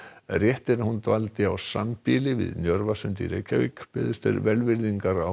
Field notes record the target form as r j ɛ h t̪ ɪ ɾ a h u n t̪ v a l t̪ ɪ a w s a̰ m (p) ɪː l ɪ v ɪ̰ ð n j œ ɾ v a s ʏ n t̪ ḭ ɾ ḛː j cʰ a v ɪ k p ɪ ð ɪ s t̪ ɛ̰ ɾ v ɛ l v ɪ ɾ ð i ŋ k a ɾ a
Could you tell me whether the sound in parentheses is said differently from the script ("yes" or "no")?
no